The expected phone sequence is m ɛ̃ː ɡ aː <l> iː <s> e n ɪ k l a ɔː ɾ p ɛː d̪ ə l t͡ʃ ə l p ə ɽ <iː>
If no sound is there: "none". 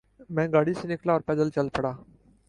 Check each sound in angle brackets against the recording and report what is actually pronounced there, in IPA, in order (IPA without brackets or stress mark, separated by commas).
ɽ, s, aː